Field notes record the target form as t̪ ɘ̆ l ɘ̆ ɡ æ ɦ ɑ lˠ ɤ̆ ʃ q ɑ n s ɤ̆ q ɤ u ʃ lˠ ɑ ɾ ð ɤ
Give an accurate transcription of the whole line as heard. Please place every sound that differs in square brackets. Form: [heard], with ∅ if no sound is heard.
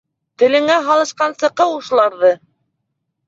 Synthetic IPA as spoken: t̪ ɘ̆ l ɘ̆ [ŋ] æ ɦ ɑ lˠ ɤ̆ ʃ q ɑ n s ɤ̆ q ɤ u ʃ lˠ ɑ ɾ ð ɤ